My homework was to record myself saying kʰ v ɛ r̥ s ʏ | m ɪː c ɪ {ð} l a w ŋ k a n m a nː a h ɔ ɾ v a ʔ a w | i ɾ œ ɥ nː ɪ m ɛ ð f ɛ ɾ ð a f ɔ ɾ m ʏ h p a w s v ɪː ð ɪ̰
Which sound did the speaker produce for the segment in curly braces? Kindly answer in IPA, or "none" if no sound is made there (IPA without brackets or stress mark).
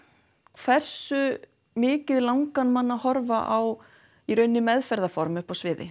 ð